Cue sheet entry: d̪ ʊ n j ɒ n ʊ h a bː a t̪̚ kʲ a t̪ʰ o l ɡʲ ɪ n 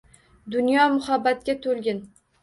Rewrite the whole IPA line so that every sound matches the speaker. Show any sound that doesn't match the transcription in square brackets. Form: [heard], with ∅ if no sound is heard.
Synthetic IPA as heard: d̪ ʊ n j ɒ [m] ʊ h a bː a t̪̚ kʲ a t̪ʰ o l ɡʲ ɪ n